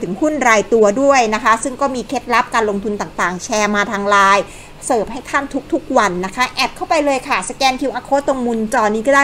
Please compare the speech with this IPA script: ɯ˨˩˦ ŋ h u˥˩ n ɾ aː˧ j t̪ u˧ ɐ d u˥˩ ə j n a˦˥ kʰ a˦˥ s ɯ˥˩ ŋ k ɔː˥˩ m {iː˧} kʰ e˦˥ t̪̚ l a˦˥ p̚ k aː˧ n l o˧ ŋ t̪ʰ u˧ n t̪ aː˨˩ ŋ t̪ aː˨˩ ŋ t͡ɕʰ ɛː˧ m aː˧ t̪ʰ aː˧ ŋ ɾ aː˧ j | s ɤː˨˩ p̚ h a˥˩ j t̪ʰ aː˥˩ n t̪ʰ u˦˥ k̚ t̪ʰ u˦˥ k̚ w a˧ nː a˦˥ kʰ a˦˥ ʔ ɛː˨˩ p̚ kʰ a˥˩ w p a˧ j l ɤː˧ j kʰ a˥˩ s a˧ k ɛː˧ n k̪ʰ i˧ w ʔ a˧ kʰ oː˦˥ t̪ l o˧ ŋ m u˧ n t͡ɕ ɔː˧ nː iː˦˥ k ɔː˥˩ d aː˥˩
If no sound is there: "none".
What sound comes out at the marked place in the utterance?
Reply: iː˧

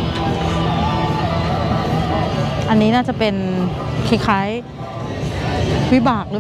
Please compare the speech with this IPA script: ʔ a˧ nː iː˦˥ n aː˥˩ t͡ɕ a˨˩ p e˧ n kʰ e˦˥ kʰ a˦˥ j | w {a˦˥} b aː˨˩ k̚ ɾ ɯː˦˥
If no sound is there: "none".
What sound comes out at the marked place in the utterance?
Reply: i˦˥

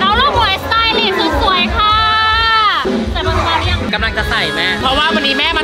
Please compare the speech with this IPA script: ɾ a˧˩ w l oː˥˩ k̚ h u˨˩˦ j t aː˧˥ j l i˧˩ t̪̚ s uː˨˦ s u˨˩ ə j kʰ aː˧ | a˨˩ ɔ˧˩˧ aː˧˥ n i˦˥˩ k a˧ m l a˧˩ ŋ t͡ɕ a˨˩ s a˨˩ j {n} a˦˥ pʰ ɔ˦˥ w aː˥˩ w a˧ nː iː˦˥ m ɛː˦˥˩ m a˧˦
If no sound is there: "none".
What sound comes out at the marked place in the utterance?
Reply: m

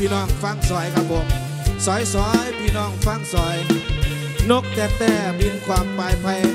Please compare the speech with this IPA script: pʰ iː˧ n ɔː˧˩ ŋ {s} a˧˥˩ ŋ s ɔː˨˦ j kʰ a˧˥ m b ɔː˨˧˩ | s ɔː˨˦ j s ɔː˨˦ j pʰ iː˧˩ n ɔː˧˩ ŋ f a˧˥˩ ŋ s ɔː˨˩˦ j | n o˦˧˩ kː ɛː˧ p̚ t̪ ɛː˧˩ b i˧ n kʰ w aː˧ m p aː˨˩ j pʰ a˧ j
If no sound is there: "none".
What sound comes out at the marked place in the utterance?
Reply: f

